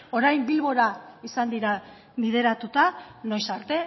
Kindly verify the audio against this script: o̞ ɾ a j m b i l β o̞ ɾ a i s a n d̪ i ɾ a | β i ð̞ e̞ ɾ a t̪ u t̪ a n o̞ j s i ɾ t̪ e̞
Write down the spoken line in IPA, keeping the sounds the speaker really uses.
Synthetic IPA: o̞ ɾ a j m b i l β o̞ ɾ a i s a n d̪ i ɾ a | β i ð̞ e̞ ɾ a t̪ u t̪ a n o̞ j s a ɾ t̪ e̞